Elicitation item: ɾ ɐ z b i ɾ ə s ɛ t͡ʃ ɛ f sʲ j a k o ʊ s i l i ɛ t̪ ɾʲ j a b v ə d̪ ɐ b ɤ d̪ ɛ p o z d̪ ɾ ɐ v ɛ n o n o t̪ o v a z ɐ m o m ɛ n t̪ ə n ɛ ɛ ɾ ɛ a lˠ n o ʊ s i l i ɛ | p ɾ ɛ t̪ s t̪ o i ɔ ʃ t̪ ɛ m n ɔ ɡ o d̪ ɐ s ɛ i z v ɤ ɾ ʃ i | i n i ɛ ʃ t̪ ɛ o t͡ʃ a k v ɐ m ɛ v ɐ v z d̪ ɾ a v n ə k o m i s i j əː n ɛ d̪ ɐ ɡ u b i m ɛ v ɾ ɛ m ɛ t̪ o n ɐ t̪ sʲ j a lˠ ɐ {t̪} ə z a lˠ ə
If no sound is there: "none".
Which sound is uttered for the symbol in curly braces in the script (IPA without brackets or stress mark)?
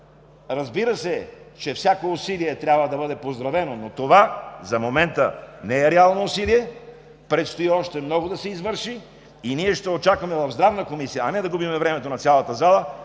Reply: t̪